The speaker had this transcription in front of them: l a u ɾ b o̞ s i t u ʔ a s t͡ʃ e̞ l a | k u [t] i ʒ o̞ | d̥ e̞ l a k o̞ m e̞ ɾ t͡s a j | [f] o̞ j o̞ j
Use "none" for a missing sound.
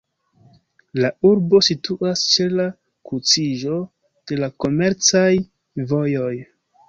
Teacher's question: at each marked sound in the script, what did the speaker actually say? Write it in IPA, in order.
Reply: t͡s, v

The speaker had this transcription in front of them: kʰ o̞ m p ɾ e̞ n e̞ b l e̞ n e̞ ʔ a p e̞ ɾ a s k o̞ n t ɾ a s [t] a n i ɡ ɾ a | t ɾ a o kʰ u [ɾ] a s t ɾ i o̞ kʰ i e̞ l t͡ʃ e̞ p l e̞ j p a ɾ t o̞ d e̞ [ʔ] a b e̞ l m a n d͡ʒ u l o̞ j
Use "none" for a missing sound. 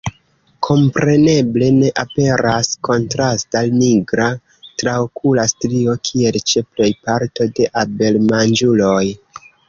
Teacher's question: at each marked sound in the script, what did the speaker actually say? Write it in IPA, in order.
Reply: t, l, ʔ

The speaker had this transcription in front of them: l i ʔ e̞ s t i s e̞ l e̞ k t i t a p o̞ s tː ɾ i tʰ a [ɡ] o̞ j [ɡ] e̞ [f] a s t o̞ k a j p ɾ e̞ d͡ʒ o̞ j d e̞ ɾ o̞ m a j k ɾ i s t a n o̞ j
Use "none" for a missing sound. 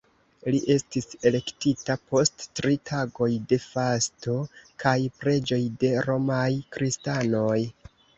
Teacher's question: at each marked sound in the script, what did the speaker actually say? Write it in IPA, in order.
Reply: ɡ, d, f

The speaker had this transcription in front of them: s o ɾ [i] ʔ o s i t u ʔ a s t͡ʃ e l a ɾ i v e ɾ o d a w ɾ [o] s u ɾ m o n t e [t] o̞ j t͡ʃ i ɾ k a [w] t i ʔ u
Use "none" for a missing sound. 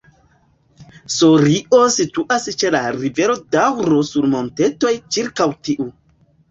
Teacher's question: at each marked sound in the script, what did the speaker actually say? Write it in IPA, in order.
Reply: i, o, t, w

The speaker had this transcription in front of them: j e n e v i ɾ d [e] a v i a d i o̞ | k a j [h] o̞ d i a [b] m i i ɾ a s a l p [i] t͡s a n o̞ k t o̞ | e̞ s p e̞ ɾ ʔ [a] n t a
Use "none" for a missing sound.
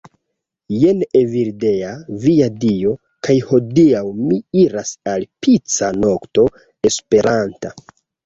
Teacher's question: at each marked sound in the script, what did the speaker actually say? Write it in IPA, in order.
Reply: e, h, w, i, a

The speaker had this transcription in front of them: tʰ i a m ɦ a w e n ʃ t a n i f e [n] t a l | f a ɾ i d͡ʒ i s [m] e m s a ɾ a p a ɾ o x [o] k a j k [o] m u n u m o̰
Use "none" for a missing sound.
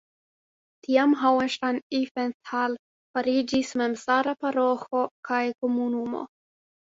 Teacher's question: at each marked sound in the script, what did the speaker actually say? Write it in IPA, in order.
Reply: n, m, o, o

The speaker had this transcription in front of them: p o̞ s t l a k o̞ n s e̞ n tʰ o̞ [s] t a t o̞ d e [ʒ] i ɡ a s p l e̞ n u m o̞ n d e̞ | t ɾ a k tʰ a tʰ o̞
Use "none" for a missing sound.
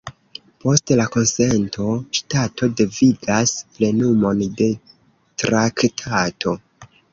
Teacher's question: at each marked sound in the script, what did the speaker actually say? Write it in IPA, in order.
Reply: ʃ, v

